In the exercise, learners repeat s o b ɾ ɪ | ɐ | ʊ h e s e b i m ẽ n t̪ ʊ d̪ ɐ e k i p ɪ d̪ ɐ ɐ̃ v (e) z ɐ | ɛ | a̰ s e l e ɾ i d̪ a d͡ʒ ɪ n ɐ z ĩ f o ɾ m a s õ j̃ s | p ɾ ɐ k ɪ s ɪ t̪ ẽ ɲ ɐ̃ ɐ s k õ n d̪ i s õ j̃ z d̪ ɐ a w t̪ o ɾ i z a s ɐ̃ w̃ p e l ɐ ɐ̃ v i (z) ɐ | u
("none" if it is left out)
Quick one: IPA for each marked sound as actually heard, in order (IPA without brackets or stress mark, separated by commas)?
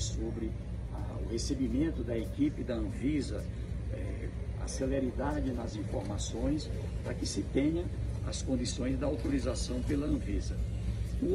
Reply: i, z